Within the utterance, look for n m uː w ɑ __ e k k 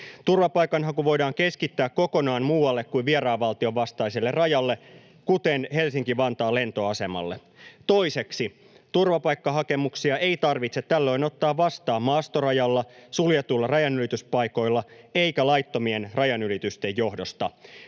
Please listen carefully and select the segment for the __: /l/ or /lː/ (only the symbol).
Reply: lː